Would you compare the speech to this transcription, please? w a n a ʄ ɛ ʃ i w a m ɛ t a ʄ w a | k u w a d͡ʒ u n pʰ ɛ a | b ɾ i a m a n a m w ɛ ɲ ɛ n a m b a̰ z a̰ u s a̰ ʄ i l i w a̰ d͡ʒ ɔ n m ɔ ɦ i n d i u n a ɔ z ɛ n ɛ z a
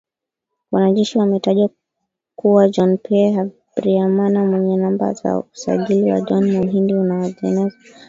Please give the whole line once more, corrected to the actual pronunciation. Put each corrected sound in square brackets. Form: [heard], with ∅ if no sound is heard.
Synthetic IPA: w a n a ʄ ɛ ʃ i w a m ɛ t a ʄ w a | k u w a d͡ʒ [ɔ] n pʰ ɛ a | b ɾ i a m a n a m w ɛ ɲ ɛ n a m b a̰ z a̰ u s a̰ ʄ i l i w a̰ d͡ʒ ɔ n m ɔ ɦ i n d i u n a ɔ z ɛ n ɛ z a